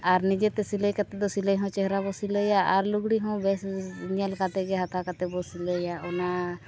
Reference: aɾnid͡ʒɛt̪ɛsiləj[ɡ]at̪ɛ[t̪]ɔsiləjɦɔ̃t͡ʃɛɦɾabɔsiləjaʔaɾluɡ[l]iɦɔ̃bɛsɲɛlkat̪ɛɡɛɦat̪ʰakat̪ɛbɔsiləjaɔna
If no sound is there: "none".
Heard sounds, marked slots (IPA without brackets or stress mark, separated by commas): k, d̪, ɽ